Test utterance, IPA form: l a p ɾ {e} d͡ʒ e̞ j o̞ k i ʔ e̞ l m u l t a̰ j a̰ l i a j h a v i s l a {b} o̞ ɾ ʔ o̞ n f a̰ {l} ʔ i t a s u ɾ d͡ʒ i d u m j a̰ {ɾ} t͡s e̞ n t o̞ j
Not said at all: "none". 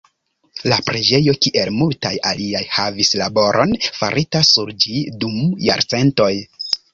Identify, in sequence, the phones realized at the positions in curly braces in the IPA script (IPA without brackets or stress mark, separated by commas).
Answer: e, b, ɾ, ɾ